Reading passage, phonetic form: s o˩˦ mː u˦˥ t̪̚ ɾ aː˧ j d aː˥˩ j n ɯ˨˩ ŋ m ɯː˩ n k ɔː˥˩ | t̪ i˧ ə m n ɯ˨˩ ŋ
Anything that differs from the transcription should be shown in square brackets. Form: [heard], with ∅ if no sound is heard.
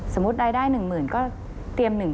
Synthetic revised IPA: s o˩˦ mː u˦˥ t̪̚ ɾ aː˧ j d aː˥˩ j n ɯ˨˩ ŋ m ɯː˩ n k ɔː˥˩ | t̪ i˧ ə m n ɯ˨˩ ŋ